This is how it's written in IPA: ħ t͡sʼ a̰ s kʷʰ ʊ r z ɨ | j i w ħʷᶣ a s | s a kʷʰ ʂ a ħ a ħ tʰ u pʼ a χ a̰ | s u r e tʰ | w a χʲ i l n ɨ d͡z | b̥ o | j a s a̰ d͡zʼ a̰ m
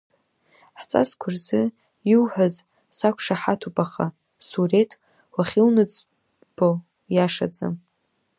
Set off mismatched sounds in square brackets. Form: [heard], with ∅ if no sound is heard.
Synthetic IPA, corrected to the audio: ħ t͡sʼ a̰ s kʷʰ ʊ r z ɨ | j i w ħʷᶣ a [z] | s a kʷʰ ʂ a ħ a [∅] tʰ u pʼ a χ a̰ | s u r e tʰ | w a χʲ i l n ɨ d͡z | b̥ o | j a [ʂ] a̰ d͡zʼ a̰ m